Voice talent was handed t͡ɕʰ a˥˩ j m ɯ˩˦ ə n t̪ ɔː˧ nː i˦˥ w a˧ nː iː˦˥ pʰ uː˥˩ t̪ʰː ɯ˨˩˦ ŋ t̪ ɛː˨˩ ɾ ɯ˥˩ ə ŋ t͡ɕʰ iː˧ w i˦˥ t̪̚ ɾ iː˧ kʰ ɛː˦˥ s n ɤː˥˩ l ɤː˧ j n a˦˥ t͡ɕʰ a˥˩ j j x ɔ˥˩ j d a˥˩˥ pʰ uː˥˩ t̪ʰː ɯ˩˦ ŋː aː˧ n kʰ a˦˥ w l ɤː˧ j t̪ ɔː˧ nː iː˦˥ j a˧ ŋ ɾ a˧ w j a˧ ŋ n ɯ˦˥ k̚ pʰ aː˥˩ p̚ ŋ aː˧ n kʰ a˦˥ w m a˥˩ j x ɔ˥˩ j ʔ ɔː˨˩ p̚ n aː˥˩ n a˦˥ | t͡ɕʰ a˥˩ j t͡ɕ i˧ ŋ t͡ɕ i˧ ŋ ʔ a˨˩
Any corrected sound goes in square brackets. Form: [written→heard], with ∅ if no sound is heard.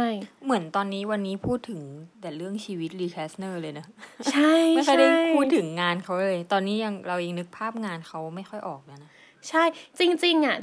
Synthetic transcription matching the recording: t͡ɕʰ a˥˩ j m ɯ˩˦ ə n t̪ ɔː˧ nː [i˦˥→iː˦˥] w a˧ nː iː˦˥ pʰ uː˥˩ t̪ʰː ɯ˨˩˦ ŋ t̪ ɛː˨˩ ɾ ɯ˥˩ ə ŋ t͡ɕʰ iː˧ w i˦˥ t̪̚ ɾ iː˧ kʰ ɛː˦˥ s n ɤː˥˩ l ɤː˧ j n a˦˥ t͡ɕʰ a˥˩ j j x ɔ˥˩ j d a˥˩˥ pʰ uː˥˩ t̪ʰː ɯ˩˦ ŋː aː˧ n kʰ a˦˥ w l ɤː˧ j t̪ ɔː˧ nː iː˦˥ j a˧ ŋ ɾ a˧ w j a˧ ŋ n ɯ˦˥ k̚ pʰ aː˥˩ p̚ ŋ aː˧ n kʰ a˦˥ w m a˥˩ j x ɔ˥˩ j ʔ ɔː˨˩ [p̚→k̚] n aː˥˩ n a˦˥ | t͡ɕʰ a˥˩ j t͡ɕ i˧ ŋ t͡ɕ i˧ ŋ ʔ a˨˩